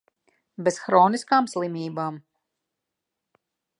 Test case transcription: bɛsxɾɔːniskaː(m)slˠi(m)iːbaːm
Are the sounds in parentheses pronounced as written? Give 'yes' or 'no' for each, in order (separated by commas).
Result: yes, yes